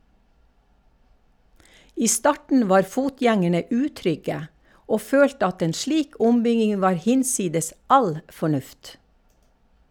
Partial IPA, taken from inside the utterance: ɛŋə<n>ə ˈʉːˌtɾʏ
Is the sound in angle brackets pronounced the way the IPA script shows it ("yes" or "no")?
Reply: no